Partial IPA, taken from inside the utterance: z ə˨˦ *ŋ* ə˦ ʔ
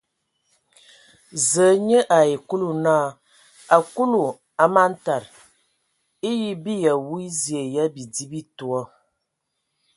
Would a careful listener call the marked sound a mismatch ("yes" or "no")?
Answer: yes